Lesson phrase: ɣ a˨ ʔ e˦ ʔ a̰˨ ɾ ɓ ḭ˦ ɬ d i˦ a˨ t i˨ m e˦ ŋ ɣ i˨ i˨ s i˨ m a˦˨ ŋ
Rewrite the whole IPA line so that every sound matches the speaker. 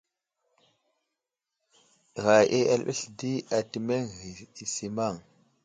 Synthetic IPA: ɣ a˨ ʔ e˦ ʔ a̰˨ l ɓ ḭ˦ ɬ d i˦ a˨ t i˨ m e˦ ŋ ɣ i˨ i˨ s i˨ m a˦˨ ŋ